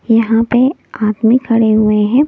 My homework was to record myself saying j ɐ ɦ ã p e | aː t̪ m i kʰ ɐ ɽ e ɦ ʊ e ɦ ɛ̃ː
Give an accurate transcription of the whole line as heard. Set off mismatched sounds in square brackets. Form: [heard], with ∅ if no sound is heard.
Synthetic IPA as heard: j ɐ ɦ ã p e | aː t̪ m i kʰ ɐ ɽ e ɦ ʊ e ɦ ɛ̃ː